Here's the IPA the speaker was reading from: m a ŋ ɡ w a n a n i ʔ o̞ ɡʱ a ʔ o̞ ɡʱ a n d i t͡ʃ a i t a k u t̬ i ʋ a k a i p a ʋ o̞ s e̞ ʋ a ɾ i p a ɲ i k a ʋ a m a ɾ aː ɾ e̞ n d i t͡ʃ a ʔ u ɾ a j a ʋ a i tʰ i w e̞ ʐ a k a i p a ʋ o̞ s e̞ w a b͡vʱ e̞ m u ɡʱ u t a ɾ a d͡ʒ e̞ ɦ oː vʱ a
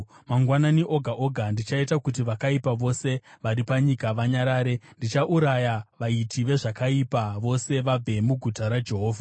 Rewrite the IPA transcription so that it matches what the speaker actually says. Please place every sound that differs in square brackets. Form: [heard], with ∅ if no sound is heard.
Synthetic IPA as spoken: m a ŋ ɡ w a n a n i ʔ o̞ ɡʱ a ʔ o̞ ɡʱ a n d i t͡ʃ a i t a k u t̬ i ʋ a k a i p a ʋ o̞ s e̞ ʋ a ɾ i p a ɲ i k a ʋ a [ɲ] a ɾ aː ɾ e̞ n d i t͡ʃ a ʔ u ɾ a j a ʋ a i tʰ i [ʋ] e̞ ʐ a k a i p a ʋ o̞ s e̞ [ʋ] a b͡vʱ e̞ m u ɡʱ u t a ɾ a d͡ʒ e̞ ɦ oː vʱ a